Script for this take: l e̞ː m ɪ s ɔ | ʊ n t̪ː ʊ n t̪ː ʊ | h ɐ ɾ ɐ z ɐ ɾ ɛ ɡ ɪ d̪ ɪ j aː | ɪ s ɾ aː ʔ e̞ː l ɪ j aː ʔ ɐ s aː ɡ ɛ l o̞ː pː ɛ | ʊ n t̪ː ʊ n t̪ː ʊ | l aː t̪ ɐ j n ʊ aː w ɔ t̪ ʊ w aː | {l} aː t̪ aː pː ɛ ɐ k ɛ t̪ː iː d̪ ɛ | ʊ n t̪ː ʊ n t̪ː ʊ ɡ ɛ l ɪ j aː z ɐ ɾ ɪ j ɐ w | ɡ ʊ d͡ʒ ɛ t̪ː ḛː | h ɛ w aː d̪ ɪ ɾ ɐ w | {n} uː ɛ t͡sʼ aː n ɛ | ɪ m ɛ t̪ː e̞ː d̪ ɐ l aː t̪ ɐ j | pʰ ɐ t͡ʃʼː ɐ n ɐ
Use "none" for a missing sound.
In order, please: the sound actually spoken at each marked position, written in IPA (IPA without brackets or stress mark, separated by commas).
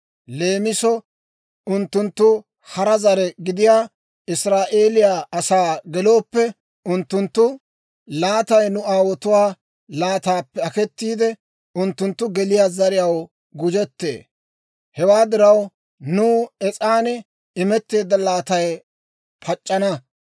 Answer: l, n